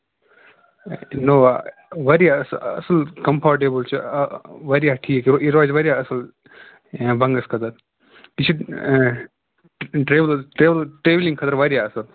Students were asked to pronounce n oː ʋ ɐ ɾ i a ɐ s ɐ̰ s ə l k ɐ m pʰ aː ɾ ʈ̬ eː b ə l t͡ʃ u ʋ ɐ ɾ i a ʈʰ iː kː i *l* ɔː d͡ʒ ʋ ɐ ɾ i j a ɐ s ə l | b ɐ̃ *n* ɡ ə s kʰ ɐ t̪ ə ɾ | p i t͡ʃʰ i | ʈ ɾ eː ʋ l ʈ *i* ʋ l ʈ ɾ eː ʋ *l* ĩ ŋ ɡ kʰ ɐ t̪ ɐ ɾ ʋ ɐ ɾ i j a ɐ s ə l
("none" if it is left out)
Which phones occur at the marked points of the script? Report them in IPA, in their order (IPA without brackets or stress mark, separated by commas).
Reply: ɾ, ŋ, e, l